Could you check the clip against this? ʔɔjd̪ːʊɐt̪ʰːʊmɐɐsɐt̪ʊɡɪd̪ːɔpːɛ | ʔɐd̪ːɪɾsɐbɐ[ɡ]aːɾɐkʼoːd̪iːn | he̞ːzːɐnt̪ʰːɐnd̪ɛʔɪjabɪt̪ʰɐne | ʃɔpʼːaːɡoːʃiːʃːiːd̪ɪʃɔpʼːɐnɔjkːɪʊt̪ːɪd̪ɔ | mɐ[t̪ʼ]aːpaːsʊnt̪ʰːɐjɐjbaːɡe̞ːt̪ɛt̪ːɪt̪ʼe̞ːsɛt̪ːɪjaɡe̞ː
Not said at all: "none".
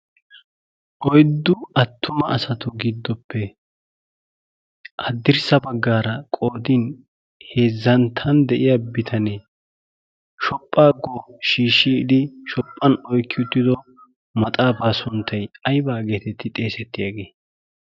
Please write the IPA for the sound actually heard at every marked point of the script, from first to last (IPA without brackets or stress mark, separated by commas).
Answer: ɡː, t̪ʼ